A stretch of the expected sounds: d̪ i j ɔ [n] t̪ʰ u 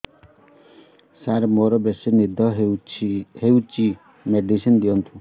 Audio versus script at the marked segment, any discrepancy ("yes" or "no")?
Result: no